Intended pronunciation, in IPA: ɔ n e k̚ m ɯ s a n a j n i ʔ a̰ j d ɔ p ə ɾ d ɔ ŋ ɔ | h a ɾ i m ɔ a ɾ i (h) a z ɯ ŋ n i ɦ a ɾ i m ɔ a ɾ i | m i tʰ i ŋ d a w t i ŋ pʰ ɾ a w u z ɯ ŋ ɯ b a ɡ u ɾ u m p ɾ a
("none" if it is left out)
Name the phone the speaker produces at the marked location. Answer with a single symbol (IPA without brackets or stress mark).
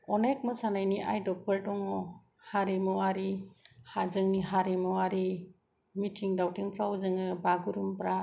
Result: h